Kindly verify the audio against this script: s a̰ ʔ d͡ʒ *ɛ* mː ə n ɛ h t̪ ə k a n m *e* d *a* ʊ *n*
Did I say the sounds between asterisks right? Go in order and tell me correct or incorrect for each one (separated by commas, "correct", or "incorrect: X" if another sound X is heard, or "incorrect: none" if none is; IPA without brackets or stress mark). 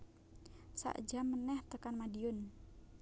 incorrect: a, incorrect: a, incorrect: i, correct